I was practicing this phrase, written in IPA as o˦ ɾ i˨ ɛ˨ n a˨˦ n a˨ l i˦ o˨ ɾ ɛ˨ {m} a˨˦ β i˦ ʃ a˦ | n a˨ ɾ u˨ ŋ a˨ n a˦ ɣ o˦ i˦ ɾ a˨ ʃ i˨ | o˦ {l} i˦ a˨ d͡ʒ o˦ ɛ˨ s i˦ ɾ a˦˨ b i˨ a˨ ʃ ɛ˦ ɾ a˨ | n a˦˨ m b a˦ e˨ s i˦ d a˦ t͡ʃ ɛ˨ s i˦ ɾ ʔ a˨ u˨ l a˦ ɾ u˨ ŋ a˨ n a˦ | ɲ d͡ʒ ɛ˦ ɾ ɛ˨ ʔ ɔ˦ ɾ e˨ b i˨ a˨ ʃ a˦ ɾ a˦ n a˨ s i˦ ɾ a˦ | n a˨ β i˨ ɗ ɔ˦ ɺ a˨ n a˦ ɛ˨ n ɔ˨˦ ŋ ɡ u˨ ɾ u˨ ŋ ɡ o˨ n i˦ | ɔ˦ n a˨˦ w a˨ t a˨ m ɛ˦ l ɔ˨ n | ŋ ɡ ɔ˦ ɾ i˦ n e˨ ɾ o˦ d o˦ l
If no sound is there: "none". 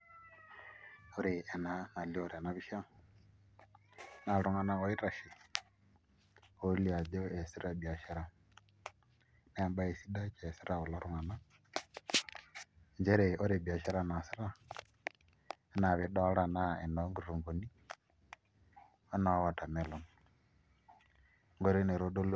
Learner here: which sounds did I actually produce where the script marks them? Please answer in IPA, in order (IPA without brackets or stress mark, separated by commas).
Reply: n, l